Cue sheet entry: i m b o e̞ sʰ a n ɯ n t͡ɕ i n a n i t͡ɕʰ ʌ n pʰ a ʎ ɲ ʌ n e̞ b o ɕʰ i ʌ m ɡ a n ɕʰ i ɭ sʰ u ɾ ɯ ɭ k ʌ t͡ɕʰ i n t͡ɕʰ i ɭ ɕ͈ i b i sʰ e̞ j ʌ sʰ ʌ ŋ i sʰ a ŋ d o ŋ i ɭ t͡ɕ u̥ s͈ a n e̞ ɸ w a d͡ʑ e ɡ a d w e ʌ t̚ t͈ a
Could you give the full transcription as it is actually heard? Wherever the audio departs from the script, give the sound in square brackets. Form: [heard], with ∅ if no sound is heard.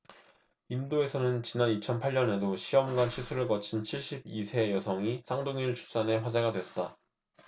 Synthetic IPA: i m [d] o e̞ sʰ [ʌ] n ɯ n t͡ɕ i n a n i t͡ɕʰ ʌ n pʰ a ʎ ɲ ʌ n e̞ [d] o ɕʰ i ʌ m ɡ a n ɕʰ i [∅] sʰ u ɾ ɯ ɭ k ʌ t͡ɕʰ i n t͡ɕʰ i ɭ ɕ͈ i b i sʰ e̞ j ʌ sʰ ʌ ŋ i sʰ a ŋ d o ŋ i ɭ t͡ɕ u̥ s͈ a n e̞ ɸ w a d͡ʑ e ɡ a d w e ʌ t̚ t͈ a